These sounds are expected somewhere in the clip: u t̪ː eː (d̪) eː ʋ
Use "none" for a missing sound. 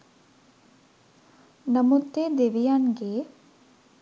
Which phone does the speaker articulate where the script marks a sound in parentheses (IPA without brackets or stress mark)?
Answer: d̪